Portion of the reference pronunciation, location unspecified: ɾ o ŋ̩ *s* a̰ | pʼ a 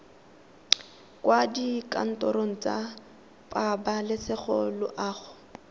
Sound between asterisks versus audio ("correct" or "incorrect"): incorrect